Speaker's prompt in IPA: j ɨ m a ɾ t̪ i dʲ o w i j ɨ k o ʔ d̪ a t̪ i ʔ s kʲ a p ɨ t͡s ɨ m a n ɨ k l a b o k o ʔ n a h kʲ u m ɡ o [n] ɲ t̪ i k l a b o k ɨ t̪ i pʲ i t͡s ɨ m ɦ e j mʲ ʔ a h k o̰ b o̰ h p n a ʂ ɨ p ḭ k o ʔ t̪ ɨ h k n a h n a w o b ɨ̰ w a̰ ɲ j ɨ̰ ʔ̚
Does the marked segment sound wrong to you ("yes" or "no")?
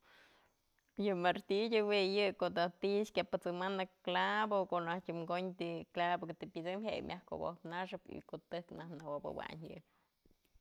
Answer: yes